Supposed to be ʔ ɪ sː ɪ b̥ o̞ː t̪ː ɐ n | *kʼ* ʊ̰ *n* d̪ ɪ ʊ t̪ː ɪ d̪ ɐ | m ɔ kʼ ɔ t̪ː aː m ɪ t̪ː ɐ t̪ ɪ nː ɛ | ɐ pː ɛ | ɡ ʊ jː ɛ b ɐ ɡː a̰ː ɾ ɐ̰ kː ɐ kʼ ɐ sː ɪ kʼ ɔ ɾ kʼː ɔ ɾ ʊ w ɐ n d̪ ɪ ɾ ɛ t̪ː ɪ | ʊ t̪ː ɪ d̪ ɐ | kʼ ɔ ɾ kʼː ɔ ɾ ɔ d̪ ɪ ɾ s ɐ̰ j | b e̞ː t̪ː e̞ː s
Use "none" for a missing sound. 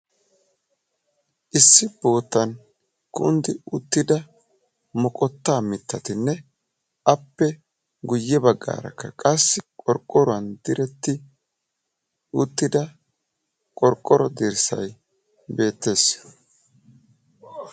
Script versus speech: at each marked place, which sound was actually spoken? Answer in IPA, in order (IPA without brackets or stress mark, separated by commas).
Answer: k, n